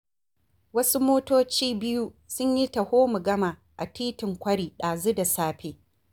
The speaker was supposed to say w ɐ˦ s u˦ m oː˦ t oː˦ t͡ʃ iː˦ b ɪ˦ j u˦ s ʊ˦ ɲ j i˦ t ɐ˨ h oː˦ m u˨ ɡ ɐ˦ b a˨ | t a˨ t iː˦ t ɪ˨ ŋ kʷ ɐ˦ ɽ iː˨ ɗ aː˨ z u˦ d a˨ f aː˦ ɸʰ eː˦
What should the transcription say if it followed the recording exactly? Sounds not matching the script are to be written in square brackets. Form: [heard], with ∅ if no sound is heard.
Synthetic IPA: w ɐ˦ s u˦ m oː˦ t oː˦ t͡ʃ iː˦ b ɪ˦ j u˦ s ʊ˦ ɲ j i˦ t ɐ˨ h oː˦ m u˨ ɡ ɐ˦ [m] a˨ | [ʔ] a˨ t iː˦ t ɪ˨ ŋ kʷ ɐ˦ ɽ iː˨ ɗ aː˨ z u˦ d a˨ [s] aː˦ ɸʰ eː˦